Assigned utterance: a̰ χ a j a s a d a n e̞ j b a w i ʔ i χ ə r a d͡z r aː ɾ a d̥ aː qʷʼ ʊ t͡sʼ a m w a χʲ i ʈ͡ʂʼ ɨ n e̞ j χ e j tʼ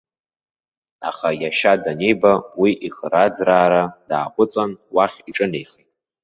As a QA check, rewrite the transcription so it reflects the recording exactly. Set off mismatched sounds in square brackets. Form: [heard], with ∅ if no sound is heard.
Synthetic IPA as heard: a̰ χ a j a [ʃ] a d a n e̞ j b a w i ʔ i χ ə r a d͡z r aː ɾ a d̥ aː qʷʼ ʊ t͡sʼ a [n] w a χʲ i ʈ͡ʂʼ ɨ n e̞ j χ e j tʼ